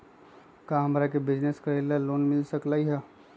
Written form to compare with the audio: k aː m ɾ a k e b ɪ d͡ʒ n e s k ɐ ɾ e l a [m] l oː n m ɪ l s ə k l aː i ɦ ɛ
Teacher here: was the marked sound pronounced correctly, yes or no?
no